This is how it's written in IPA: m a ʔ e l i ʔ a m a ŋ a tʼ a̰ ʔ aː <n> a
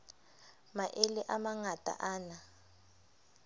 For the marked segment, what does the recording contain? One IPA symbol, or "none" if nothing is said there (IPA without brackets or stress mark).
n